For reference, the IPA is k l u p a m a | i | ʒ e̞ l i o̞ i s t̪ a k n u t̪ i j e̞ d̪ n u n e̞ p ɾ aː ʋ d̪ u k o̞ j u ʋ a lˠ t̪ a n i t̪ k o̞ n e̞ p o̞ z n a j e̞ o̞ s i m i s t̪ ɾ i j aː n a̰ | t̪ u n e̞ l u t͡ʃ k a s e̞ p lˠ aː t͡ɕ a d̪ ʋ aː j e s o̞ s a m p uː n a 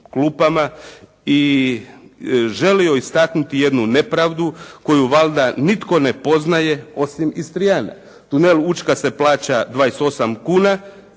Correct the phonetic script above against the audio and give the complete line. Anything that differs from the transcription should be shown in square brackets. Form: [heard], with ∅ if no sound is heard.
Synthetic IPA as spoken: k l u p a m a | i | ʒ e̞ l i o̞ i s t̪ a k n u t̪ i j e̞ d̪ n u n e̞ p ɾ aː ʋ d̪ u k o̞ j u ʋ a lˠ [d̪] a n i t̪ k o̞ n e̞ p o̞ z n a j e̞ o̞ s i m i s t̪ ɾ i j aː n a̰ | t̪ u n e̞ l u t͡ʃ k a s e̞ p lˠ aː t͡ɕ a d̪ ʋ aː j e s o̞ s a m [k] uː n a